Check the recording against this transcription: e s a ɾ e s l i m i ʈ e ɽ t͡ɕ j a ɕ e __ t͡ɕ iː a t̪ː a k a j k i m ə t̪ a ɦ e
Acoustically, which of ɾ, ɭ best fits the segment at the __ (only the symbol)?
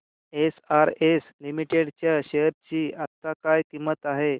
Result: ɾ